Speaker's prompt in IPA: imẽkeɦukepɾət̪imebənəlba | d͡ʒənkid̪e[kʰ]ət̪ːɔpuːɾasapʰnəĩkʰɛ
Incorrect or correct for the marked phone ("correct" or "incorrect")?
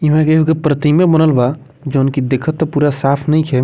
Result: correct